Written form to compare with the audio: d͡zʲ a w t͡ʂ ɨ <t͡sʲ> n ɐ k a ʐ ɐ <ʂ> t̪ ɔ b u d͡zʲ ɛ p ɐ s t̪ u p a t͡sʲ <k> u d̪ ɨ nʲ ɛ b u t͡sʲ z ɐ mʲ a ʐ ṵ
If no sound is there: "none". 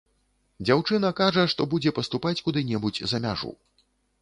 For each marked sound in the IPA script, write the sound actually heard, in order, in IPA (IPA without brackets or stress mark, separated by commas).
none, ʂ, k